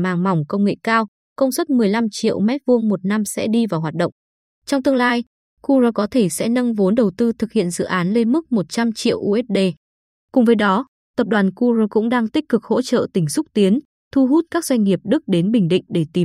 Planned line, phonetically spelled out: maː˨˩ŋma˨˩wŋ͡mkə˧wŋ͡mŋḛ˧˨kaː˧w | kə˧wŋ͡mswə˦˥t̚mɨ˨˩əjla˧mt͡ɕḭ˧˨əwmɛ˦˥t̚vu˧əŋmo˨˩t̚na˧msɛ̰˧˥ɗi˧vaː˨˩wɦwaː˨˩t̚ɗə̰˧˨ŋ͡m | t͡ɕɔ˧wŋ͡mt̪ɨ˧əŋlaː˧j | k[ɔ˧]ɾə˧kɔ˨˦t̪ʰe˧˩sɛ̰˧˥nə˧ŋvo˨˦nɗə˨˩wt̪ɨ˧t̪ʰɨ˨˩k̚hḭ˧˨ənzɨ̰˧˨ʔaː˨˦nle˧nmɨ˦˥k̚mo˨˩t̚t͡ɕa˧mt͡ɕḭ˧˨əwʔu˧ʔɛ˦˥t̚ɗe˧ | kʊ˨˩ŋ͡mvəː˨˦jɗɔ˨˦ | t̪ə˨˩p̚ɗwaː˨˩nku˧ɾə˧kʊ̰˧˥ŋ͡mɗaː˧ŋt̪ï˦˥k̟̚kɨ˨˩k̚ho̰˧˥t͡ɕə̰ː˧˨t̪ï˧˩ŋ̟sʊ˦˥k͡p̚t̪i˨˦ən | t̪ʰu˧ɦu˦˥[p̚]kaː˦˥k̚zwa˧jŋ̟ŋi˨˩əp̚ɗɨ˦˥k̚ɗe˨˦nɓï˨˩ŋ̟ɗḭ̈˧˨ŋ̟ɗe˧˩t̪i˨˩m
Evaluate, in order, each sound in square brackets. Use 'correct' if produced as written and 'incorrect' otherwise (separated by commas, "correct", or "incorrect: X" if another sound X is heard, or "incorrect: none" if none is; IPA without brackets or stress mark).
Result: incorrect: u˧, incorrect: t̚